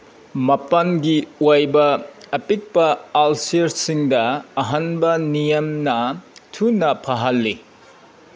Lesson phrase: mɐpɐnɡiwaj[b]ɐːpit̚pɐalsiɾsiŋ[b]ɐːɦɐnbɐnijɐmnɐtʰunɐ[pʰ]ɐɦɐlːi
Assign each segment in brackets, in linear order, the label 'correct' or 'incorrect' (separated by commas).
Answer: correct, incorrect, correct